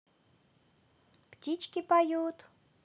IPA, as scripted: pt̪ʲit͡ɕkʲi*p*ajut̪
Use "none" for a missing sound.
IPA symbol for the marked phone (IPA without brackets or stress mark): p